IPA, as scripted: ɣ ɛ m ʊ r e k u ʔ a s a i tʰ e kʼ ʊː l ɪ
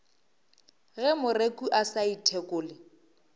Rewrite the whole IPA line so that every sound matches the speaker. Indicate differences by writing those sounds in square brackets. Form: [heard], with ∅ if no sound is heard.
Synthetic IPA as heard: ɣ ɛ m ʊ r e k u ʔ a s a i tʰ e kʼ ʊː l ɪ